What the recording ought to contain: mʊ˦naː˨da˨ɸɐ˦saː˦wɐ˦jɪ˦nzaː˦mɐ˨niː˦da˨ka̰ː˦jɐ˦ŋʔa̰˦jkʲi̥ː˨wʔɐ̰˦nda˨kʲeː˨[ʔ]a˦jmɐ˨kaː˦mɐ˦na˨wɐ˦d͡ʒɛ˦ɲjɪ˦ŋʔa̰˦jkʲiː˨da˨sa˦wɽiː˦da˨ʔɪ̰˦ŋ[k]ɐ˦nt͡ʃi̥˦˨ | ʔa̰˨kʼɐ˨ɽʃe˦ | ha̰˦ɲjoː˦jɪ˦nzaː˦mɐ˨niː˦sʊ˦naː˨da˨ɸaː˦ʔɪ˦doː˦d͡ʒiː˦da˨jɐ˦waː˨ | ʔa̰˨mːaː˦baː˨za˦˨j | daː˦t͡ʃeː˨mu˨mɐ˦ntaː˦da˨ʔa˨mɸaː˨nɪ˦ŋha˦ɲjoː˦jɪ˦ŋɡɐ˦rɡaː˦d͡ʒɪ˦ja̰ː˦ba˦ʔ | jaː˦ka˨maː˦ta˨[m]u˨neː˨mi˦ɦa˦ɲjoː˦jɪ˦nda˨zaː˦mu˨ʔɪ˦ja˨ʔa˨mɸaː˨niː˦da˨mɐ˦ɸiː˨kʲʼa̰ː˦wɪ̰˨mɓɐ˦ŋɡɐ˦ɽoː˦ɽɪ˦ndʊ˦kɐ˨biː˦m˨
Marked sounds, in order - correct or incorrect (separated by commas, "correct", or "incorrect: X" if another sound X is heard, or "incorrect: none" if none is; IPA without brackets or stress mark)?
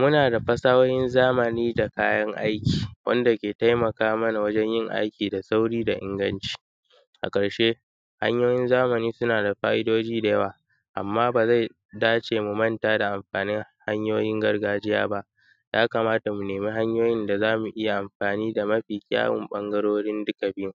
incorrect: t, incorrect: ɡ, correct